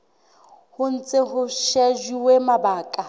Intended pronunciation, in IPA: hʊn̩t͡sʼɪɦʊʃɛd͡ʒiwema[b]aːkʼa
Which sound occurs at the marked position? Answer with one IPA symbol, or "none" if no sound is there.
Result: b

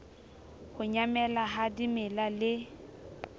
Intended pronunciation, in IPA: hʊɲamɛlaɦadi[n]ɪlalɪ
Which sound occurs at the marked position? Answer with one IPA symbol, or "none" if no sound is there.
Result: m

